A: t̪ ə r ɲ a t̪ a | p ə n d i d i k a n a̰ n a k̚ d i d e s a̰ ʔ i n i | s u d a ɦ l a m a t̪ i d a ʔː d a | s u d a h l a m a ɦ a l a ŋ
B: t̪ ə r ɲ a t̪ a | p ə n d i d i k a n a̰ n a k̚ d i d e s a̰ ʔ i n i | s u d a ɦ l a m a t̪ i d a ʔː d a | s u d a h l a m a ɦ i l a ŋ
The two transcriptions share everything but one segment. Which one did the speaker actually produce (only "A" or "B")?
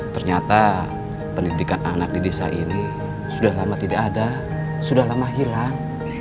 B